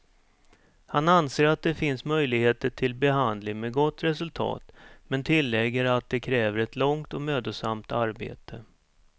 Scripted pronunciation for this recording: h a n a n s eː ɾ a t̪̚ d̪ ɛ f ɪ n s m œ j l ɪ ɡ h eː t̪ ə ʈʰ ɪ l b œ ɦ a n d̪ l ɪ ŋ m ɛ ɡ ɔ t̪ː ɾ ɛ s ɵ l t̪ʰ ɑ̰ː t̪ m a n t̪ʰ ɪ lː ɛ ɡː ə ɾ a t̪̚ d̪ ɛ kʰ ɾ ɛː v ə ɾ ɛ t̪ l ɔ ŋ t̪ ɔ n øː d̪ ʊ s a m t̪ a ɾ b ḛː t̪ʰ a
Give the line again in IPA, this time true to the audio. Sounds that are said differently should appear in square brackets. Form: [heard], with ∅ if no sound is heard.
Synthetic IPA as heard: h a n a n s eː ɾ a t̪̚ d̪ ɛ f ɪ n s m œ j l ɪ ɡ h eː t̪ ə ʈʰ ɪ l b [ɛ] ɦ a n d̪ l ɪ ŋ m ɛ ɡ ɔ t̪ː ɾ ɛ s ɵ l t̪ʰ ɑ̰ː t̪ m [ɛ] n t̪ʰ ɪ lː ɛ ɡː ə ɾ a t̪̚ d̪ ɛ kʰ ɾ ɛː v ə ɾ ɛ t̪ l ɔ ŋ t̪ ɔ [m] øː d̪ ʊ s a m t̪ a ɾ b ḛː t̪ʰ [ə]